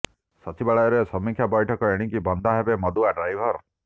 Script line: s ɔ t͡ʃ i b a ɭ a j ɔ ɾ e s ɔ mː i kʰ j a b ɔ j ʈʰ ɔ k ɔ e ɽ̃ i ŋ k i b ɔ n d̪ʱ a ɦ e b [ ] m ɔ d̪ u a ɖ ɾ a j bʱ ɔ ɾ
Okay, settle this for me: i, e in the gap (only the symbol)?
e